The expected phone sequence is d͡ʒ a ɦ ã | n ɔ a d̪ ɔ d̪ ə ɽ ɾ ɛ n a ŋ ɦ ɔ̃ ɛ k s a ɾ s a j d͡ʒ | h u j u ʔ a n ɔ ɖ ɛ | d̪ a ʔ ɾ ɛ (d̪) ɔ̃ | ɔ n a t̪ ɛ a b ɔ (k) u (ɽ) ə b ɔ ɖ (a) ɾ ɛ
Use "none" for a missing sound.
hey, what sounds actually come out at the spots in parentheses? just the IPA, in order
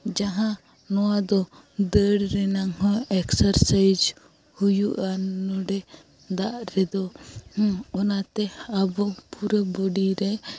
d̪, p, ɾ, i

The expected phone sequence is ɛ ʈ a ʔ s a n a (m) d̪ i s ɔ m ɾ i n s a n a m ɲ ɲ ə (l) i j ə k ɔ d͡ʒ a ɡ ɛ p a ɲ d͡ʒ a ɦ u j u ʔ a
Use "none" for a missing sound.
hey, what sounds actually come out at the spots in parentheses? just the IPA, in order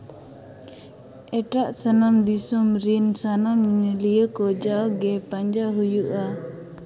m, l

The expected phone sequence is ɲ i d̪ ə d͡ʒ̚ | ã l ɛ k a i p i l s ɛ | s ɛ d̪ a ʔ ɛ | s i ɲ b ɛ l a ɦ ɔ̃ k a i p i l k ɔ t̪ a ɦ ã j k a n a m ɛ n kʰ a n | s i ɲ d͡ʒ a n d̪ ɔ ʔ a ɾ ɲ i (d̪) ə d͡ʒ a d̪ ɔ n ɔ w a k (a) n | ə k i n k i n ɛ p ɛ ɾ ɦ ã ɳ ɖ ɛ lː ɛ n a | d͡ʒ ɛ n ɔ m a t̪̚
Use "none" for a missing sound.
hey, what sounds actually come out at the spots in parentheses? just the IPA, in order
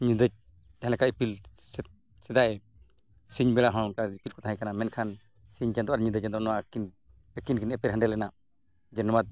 d̪, i

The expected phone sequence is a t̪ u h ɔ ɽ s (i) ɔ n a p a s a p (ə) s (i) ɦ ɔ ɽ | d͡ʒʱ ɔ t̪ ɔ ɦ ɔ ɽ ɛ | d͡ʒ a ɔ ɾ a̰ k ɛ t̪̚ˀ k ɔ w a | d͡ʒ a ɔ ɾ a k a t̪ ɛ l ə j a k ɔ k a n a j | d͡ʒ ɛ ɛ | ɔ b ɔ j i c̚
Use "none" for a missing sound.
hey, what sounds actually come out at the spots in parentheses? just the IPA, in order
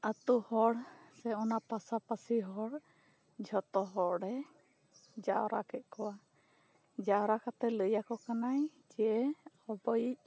ɛ, a, i

